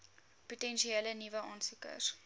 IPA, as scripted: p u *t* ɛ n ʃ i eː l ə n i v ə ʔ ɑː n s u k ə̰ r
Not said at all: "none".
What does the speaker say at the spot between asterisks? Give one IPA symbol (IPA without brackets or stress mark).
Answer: t